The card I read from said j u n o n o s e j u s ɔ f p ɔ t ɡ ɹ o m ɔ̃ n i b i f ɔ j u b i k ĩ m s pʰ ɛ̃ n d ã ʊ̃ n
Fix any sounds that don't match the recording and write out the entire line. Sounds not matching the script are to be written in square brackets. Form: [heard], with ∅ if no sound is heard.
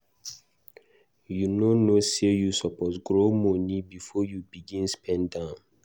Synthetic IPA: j u n o n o s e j u s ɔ [∅] p ɔ t ɡ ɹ o m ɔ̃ n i b i f ɔ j u b i [ɡ] ĩ [n] s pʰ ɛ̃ n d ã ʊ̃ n